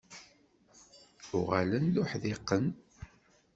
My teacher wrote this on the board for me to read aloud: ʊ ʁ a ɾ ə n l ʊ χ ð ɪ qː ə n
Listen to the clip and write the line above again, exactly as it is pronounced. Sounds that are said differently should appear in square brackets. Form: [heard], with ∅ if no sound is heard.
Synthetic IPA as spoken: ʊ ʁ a [l] ə n l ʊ [ħ] ð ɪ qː ə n